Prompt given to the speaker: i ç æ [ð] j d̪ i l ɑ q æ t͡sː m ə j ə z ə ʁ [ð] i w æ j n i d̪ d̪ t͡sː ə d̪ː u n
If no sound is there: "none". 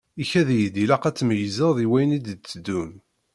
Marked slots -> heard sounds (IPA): ð, ð

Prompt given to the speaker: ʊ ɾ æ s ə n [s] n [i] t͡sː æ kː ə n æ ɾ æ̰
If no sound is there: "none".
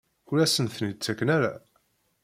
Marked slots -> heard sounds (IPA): θ, i

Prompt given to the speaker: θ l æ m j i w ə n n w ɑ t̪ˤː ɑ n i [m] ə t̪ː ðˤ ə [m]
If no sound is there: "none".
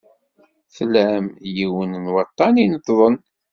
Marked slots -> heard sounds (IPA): n, n

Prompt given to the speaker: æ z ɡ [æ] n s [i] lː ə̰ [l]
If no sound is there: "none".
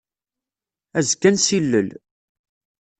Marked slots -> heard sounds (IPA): æ, i, l

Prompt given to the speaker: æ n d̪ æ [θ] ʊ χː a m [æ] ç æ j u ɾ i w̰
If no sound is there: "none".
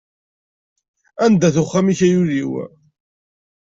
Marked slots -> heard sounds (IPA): θ, i

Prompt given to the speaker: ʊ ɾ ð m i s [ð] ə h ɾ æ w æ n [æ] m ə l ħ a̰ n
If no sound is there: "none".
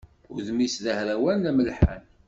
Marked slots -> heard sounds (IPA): ð, æ

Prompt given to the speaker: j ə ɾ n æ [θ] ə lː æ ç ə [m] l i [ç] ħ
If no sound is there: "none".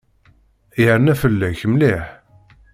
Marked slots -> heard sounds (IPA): f, m, none

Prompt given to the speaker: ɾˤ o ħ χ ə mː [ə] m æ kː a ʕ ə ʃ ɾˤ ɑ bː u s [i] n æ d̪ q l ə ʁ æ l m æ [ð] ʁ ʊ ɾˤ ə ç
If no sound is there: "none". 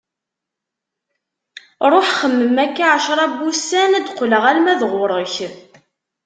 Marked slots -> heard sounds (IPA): ə, æ, ð

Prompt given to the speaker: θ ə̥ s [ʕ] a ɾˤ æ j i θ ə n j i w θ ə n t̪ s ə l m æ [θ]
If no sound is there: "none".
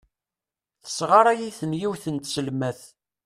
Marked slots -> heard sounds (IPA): ʁ, θ

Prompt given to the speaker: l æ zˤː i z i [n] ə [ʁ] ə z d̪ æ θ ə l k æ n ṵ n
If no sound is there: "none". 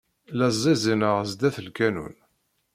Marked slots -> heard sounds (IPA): n, ʁ

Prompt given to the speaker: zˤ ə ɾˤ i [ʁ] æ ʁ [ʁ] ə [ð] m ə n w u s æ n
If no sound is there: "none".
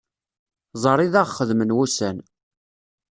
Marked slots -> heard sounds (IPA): ð, χ, ð

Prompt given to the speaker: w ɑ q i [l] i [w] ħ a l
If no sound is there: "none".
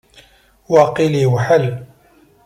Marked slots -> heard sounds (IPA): l, w

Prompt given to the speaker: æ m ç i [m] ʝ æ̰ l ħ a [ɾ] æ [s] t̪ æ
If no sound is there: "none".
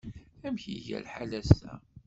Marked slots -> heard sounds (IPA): none, l, s

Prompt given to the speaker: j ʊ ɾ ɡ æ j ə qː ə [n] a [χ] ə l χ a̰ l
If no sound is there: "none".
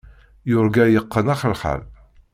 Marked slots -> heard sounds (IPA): n, χ

